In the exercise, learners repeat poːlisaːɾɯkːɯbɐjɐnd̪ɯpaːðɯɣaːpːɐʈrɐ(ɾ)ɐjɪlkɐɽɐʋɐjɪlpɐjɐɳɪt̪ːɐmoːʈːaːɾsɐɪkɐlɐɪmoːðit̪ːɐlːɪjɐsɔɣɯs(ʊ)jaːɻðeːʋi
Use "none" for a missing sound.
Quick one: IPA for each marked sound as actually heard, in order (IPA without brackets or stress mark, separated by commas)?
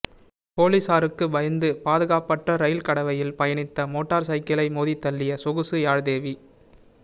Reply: ɾ, ɯ